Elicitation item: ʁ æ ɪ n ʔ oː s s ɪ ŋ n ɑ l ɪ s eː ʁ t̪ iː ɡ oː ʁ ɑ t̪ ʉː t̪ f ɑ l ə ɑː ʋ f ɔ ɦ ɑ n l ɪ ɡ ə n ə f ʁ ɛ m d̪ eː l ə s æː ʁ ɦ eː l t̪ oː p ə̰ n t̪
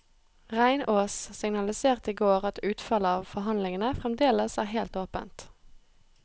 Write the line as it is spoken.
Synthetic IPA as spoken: ʁ æ ɪ n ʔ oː s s ɪ ŋ n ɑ l ɪ s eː ʁ t̪ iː ɡ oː ʁ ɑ t̪ ʉː t̪ f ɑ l ə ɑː ʋ f ɔ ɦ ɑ n l ɪ ŋ ə n ə f ʁ ɛ m d̪ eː l ə s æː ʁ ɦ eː l t̪ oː p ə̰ n t̪